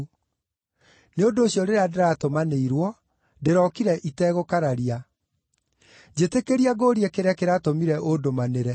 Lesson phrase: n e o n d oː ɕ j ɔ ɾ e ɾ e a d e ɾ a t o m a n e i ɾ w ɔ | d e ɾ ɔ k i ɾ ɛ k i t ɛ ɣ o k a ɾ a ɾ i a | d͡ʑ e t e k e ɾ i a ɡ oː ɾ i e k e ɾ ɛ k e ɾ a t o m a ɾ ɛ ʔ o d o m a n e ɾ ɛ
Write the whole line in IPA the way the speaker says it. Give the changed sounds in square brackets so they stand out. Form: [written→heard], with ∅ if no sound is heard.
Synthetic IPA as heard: n e o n d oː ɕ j ɔ ɾ e ɾ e a d e ɾ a t o m a n e i ɾ w ɔ | d e ɾ ɔ k i ɾ ɛ [k→ʔ] i t ɛ ɣ o k a ɾ a ɾ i a | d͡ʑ e t e k e ɾ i a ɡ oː ɾ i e k e ɾ ɛ k e ɾ a t o m [a→i] ɾ ɛ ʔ o d o m a n e ɾ ɛ